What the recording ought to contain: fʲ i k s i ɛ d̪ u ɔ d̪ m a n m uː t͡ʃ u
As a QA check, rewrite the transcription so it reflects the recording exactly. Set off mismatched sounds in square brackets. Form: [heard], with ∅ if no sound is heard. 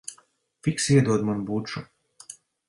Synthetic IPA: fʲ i k s i ɛ d̪ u ɔ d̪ m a n [b] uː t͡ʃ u